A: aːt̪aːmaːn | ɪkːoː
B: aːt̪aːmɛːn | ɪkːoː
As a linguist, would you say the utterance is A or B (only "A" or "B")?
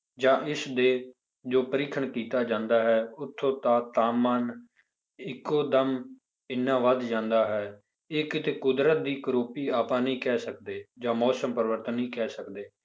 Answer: A